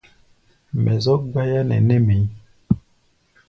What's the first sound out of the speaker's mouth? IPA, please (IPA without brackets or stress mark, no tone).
m